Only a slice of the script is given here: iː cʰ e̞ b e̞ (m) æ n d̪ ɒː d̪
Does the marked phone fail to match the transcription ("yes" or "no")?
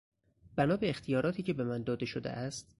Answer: no